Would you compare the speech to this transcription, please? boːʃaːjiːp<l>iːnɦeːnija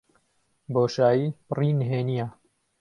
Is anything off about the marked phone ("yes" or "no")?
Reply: yes